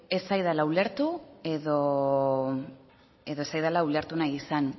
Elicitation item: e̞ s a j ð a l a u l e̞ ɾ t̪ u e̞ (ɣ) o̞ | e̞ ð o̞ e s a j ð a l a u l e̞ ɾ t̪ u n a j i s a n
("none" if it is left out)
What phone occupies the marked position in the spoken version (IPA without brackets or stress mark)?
ð